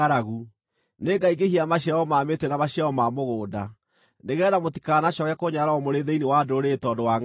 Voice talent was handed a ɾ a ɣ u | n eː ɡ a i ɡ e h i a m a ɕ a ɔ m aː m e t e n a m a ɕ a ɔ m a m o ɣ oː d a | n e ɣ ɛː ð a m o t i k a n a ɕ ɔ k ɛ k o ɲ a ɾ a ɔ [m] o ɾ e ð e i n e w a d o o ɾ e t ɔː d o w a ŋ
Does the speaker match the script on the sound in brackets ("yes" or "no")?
yes